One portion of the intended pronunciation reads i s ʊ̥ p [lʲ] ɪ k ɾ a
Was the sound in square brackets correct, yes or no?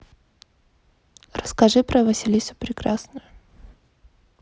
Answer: no